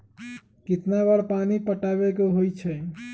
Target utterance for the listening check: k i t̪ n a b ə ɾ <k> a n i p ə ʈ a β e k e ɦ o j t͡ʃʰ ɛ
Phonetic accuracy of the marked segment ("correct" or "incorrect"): incorrect